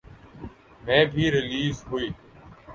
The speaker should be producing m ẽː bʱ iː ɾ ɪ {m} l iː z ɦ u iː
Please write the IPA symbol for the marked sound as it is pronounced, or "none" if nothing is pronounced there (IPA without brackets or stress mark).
none